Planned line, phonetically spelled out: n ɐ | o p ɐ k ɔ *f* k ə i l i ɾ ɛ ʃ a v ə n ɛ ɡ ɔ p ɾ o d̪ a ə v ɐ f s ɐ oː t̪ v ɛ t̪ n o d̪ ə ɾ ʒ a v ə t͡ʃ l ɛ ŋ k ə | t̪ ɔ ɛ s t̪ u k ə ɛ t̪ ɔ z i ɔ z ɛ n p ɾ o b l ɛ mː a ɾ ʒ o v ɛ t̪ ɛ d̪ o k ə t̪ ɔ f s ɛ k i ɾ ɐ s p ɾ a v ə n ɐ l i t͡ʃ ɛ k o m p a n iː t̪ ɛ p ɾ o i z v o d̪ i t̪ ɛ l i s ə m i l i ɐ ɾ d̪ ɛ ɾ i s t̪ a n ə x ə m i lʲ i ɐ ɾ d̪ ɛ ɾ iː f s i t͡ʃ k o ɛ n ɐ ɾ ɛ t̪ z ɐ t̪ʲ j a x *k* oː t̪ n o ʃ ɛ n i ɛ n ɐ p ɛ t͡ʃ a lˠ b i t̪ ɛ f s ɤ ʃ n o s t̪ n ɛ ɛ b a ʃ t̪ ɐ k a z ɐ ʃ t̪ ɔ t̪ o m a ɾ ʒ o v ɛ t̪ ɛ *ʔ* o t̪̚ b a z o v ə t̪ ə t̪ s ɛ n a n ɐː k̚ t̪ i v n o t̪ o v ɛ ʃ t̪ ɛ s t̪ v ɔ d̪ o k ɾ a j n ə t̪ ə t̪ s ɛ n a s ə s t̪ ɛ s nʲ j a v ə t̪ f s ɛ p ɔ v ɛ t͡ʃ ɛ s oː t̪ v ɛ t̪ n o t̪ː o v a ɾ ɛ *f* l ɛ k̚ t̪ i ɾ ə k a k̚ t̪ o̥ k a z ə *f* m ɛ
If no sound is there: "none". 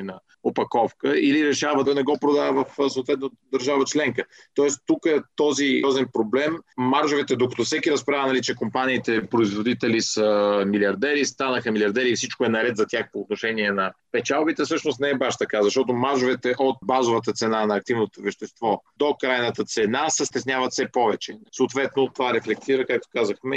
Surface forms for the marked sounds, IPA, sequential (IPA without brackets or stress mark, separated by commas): f, p, ʔ, f, x